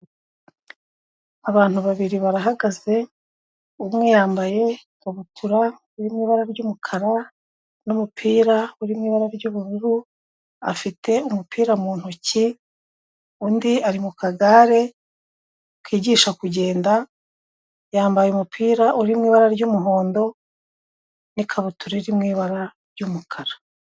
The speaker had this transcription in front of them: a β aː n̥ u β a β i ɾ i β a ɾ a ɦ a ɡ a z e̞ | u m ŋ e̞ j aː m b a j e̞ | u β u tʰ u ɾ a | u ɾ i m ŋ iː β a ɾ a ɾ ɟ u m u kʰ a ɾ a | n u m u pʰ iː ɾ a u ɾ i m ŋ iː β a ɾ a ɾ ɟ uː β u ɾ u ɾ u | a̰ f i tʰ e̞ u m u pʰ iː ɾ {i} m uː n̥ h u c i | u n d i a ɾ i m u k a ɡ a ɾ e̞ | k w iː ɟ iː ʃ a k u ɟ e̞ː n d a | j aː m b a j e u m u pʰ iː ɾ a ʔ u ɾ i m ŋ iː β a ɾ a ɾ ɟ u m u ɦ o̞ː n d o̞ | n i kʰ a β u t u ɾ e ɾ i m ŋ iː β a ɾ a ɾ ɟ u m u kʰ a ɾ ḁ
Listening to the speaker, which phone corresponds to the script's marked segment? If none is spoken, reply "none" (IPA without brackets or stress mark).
a